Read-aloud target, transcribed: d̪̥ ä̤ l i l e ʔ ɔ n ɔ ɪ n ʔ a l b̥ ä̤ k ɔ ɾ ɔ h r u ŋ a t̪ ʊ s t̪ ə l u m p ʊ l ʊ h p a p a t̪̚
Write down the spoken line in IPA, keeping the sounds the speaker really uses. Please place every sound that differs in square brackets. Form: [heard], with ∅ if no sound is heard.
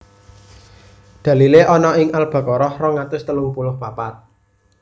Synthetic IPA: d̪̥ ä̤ l i l e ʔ ɔ n ɔ ɪ [ŋ] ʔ a l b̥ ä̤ k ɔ ɾ ɔ h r [ɔ] ŋ a t̪ ʊ s t̪ ə l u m p [u] l ʊ h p a p a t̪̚